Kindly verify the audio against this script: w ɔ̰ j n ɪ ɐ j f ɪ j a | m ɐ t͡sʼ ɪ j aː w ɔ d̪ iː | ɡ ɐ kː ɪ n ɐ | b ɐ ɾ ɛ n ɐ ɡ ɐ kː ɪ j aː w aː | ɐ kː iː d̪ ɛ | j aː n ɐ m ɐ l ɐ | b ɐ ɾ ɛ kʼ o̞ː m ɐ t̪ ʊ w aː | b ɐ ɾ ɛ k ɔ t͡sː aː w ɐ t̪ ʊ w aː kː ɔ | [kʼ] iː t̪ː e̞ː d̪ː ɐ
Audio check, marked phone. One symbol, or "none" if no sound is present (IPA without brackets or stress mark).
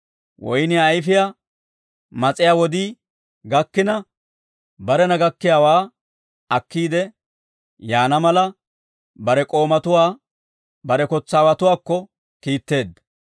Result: k